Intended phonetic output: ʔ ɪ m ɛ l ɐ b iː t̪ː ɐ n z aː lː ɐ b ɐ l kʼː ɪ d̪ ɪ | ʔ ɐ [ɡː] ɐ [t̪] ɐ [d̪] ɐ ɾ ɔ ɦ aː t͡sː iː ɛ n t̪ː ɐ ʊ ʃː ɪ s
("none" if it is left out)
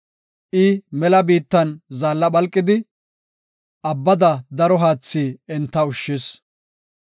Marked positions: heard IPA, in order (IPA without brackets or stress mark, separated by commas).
bː, d̪, d̪